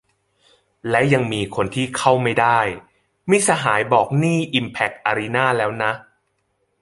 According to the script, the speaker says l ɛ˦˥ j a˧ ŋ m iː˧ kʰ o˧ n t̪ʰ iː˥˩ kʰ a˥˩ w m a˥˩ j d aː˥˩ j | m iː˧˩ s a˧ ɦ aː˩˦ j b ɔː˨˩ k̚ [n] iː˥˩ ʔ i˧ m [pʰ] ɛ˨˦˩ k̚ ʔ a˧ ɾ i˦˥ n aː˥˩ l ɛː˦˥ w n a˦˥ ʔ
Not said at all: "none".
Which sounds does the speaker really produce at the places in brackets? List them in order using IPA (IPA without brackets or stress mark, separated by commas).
n, pʰ